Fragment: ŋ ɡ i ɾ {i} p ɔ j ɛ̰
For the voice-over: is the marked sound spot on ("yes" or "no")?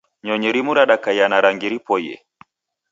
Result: yes